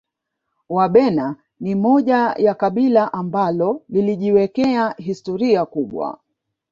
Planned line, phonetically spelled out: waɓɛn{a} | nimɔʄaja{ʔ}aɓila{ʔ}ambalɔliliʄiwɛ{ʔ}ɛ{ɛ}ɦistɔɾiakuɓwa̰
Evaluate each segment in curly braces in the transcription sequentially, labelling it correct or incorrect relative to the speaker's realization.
correct, incorrect, correct, incorrect, incorrect

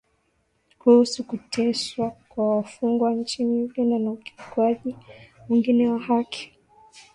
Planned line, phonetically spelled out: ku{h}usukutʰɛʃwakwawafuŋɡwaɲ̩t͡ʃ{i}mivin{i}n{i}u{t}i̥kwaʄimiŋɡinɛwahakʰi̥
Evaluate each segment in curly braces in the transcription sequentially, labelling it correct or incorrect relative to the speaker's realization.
correct, correct, incorrect, incorrect, incorrect

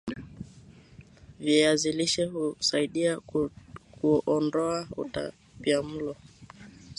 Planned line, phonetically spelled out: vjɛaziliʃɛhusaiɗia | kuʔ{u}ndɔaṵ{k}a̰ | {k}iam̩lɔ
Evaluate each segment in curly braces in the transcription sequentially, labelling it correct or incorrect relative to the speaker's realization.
incorrect, incorrect, incorrect

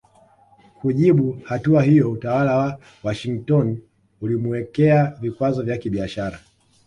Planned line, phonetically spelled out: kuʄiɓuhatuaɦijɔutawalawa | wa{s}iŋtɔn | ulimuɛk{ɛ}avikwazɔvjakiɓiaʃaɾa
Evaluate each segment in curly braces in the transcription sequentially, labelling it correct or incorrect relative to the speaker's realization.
incorrect, correct

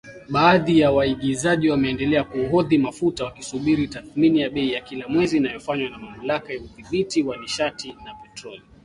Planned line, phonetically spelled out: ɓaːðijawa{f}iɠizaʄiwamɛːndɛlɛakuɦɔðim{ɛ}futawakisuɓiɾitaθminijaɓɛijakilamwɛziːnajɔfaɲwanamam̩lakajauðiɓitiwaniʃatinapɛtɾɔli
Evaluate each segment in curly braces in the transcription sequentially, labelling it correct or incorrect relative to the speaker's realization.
incorrect, incorrect

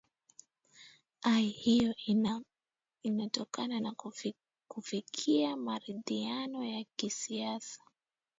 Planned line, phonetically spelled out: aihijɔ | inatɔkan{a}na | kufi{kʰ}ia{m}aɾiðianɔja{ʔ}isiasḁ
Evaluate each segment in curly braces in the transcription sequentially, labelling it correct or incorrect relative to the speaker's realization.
correct, correct, correct, incorrect

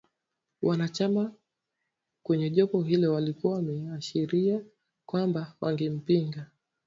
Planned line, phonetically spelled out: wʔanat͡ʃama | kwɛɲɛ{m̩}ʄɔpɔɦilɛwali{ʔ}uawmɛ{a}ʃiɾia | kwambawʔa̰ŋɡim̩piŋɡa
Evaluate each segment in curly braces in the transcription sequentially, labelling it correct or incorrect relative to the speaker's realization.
incorrect, incorrect, correct

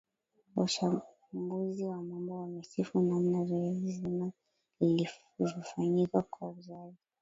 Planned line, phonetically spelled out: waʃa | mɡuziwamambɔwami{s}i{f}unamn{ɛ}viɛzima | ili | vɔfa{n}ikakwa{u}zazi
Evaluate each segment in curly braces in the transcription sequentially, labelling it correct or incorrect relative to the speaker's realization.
correct, correct, incorrect, incorrect, correct

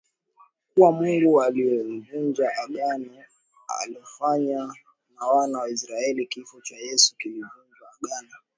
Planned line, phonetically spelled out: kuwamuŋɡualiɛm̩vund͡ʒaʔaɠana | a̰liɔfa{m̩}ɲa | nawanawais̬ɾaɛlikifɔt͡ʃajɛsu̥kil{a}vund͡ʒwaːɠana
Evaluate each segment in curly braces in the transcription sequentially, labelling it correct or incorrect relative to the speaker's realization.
incorrect, incorrect

